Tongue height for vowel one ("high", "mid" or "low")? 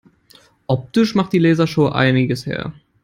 mid